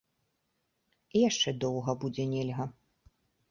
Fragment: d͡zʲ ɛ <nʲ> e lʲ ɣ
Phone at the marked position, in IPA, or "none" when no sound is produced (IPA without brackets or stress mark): nʲ